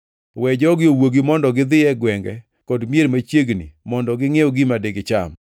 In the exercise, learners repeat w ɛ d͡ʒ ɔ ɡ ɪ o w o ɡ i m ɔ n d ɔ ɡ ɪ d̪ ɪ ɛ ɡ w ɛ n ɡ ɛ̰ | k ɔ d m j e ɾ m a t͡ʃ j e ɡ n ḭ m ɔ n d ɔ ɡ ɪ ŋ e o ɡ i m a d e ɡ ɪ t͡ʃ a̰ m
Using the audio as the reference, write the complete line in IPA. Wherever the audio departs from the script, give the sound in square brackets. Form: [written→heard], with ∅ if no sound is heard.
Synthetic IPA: w ɛ d͡ʒ ɔ ɡ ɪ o w o ɡ i m ɔ n d ɔ ɡ ɪ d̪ ɪ ɛ ɡ w ɛ [n→ŋ] ɡ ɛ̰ | k ɔ d m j e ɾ m a t͡ʃ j e ɡ n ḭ m ɔ n d ɔ ɡ ɪ ŋ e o ɡ i m a d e ɡ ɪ t͡ʃ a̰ m